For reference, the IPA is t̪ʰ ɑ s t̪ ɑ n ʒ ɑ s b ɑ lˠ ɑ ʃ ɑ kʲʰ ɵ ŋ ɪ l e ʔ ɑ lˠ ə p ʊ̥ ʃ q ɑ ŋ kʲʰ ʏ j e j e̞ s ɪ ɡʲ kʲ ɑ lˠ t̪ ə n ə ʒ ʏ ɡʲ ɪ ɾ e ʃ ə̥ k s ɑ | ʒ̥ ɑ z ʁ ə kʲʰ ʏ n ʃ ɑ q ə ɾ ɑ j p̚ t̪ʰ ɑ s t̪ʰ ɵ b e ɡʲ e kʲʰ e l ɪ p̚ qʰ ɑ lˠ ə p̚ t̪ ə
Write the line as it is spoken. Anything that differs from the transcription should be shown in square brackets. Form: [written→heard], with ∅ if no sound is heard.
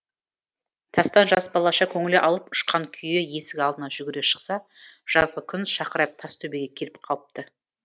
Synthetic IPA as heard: t̪ʰ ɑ s t̪ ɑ n ʒ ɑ s b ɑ lˠ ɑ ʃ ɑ kʲʰ ɵ ŋ ɪ l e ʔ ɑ lˠ ə p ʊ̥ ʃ q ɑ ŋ kʲʰ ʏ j e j e̞ s ɪ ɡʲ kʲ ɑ lˠ [t̪→d̪] ə n [ə→ɑ] ʒ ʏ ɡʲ ɪ ɾ e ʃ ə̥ [k→q] s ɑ | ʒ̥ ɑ z ʁ ə kʲʰ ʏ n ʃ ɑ q ə ɾ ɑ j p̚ t̪ʰ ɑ s t̪ʰ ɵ b e ɡʲ e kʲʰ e l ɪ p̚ qʰ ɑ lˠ ə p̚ t̪ ə